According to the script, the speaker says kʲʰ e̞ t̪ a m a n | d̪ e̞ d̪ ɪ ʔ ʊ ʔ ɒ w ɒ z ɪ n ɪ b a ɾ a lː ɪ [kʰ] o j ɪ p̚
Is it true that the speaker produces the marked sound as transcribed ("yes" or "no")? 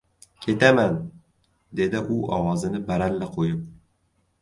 no